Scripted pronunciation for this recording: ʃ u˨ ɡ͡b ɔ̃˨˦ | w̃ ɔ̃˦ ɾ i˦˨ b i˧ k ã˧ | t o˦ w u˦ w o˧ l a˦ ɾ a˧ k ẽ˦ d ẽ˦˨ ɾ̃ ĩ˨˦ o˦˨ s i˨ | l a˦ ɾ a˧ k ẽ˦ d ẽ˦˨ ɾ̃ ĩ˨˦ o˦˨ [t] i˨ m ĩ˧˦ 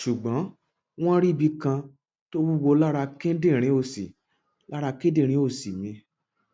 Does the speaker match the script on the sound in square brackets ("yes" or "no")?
no